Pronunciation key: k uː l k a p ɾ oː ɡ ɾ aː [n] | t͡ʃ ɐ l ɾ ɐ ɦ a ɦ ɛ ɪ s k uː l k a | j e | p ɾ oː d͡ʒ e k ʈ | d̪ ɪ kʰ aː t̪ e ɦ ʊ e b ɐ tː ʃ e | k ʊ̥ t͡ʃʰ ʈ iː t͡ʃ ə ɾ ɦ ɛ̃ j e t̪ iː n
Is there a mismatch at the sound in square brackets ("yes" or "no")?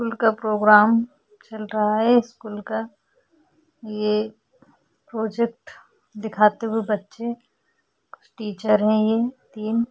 yes